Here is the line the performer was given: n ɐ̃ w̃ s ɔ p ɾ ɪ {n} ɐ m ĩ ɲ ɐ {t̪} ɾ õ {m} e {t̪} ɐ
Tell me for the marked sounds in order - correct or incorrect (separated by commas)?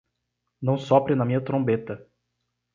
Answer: correct, correct, incorrect, correct